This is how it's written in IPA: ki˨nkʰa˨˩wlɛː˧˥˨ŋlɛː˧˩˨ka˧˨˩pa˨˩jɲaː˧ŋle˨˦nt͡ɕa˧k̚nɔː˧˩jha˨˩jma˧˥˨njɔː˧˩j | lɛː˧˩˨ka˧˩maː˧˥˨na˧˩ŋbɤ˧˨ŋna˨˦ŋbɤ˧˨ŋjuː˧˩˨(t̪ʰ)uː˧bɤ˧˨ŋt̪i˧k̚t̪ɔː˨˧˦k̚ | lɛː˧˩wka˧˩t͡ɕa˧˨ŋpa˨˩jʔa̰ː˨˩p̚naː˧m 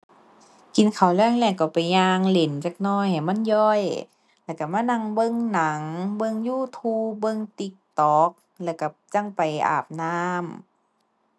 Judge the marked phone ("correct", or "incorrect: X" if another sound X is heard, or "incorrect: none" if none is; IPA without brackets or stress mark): correct